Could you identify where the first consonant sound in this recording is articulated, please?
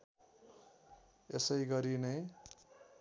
alveolar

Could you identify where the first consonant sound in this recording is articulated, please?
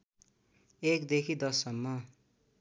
velar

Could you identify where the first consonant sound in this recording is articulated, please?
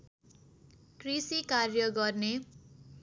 velar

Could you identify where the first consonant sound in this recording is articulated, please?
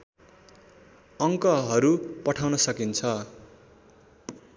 velar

